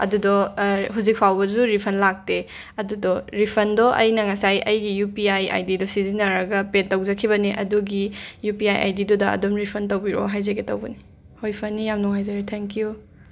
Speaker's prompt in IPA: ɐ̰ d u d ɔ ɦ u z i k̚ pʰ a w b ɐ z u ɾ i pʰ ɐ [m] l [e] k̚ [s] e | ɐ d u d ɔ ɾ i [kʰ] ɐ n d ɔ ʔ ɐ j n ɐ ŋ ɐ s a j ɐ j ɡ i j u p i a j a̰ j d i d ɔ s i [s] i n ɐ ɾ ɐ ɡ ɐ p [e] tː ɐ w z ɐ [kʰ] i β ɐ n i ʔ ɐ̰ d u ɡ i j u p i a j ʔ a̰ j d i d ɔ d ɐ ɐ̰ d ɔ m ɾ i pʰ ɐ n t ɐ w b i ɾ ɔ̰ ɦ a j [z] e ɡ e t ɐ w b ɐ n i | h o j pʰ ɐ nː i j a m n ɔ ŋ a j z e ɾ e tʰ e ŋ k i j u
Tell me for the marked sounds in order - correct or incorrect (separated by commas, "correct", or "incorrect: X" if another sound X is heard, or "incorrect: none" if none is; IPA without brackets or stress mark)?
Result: incorrect: n, incorrect: a, incorrect: t, incorrect: pʰ, incorrect: z, correct, correct, correct